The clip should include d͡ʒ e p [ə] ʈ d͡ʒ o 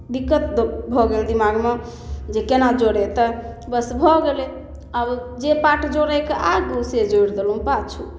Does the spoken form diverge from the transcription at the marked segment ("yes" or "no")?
yes